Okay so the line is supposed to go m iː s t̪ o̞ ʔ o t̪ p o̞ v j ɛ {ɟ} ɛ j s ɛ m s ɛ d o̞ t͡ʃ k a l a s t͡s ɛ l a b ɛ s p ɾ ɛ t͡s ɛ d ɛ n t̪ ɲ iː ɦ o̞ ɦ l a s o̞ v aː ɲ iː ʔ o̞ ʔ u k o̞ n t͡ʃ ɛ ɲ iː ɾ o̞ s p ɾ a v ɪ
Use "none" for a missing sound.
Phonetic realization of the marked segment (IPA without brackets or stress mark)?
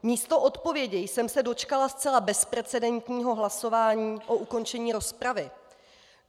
ɟ